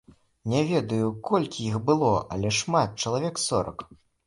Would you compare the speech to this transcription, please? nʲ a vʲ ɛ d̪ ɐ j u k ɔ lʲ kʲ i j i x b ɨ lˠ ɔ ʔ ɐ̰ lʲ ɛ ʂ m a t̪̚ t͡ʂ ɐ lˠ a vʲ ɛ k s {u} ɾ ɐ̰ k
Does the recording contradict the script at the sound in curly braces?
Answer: yes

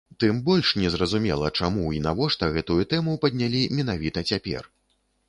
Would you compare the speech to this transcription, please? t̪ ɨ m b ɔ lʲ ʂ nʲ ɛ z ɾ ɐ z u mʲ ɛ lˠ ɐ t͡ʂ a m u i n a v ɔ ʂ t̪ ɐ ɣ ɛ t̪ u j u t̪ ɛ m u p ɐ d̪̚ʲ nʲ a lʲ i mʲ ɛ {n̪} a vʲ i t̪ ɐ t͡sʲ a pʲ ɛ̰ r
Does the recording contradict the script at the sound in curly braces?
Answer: no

